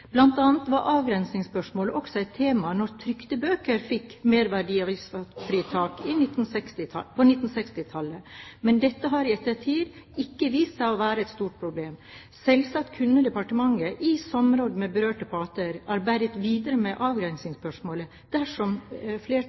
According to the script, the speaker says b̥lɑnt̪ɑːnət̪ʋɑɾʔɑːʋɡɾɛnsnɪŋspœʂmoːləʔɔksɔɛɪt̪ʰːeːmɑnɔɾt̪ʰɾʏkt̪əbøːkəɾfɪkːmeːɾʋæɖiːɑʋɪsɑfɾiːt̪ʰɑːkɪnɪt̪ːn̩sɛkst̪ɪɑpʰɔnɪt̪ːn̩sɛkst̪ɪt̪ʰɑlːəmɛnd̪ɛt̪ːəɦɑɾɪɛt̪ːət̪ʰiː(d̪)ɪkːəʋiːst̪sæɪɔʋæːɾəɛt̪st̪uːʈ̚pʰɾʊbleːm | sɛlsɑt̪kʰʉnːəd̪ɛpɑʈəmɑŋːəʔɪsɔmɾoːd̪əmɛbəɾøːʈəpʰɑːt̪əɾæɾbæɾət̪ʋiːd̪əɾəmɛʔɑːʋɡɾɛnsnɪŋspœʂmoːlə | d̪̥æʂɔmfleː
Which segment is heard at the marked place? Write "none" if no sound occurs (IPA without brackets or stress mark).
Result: d̪